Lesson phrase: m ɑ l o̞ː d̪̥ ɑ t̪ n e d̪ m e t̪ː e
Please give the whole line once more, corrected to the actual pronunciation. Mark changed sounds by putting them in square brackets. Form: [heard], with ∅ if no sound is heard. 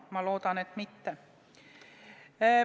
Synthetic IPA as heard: m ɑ l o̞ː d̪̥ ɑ [∅] n e [t̪] m [i] t̪ː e